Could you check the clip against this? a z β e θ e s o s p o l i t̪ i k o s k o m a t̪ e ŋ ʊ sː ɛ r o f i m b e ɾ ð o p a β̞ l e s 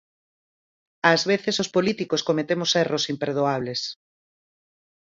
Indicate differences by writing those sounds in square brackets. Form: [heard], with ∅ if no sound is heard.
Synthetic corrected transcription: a z β e θ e s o s p o l i t̪ i k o s k o m [e] t̪ e [m] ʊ [s] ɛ r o [s] i m [p] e ɾ ð o [∅] a β̞ l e s